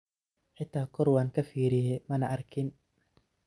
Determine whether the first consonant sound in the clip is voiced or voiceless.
voiceless